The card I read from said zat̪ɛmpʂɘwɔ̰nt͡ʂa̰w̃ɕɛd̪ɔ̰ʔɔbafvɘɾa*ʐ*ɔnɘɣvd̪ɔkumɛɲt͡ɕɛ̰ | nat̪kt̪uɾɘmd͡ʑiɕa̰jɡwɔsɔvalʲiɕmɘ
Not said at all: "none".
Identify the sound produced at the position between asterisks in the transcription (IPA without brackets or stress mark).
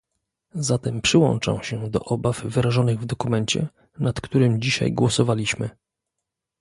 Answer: ʐ